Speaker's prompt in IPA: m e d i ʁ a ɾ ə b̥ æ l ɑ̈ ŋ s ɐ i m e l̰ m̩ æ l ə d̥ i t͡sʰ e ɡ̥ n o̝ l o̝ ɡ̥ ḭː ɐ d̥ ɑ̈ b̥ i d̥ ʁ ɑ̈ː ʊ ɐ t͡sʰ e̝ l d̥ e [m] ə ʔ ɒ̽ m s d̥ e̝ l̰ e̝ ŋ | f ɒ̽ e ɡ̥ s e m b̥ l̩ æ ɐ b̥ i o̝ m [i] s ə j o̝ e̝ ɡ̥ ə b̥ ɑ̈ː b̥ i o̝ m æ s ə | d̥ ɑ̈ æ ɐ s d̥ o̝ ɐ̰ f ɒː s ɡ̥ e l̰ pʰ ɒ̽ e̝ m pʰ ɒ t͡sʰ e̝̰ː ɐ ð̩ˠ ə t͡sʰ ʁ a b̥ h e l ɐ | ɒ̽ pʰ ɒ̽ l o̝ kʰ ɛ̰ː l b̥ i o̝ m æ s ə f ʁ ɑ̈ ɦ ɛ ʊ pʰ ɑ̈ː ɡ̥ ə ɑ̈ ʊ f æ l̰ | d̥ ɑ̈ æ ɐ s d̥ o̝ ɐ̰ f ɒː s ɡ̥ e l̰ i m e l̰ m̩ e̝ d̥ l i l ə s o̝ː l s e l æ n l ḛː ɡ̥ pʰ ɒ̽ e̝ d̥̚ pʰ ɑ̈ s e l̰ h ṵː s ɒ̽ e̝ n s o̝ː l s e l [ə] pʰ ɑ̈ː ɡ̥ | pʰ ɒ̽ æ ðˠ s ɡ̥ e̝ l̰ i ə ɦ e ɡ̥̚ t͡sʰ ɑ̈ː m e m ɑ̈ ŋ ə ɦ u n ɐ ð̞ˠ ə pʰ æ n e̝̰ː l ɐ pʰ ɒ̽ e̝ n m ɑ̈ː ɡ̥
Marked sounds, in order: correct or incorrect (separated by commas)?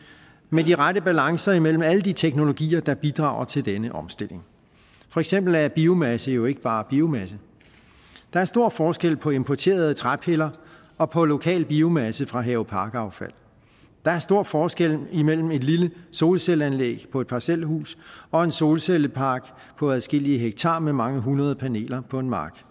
incorrect, incorrect, correct